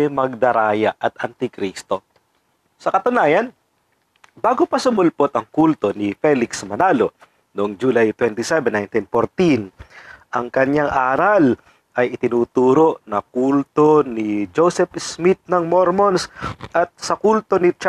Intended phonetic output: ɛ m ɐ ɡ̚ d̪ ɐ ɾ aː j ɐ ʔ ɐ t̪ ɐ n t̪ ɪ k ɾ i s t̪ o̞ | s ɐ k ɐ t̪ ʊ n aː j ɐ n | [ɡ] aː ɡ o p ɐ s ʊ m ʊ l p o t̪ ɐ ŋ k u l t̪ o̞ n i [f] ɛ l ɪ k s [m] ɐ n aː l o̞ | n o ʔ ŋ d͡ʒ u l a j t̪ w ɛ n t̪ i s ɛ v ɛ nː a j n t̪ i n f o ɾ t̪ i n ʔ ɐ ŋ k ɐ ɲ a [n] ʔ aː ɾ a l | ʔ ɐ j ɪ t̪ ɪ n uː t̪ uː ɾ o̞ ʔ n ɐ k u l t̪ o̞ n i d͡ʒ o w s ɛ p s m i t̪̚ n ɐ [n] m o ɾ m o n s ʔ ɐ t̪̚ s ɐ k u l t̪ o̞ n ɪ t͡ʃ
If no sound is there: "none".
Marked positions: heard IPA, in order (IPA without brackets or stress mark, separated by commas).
b, f, m, ŋ, ŋ